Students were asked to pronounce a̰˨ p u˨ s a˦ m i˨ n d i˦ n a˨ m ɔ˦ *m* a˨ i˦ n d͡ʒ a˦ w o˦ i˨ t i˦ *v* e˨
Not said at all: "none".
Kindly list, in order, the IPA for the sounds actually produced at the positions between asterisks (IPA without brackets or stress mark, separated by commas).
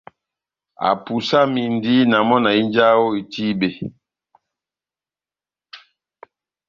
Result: n, b